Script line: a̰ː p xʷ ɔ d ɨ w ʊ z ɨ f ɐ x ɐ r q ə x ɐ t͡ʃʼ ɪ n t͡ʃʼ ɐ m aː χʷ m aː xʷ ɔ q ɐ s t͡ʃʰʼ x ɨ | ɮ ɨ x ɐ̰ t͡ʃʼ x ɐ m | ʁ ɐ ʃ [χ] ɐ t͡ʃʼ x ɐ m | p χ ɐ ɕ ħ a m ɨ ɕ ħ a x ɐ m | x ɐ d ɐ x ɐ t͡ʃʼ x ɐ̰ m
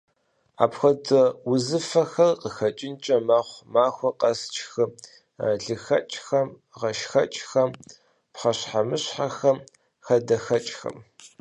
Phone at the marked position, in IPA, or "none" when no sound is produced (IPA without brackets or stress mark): x